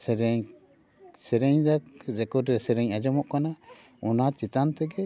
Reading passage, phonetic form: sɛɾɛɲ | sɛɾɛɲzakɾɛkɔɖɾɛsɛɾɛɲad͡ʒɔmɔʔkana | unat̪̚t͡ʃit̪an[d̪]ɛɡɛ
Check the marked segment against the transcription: incorrect: t̪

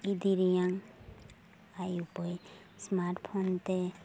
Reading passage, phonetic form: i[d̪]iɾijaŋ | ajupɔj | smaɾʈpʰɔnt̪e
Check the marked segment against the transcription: correct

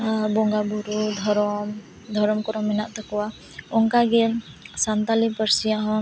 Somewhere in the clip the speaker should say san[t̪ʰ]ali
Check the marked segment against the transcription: incorrect: t̪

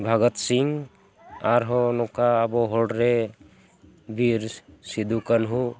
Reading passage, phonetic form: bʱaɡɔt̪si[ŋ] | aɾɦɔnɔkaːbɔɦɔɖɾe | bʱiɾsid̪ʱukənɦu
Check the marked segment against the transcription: correct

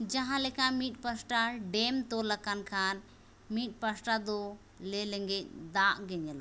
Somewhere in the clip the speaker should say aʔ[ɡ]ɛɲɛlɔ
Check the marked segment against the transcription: correct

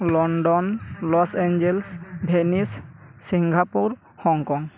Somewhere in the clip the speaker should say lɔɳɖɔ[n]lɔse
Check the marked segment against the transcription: correct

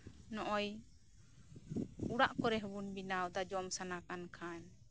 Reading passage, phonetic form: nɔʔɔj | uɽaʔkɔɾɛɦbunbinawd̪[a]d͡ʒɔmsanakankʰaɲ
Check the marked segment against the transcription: correct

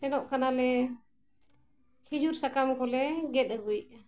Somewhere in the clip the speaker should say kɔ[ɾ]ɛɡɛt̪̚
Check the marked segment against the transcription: incorrect: l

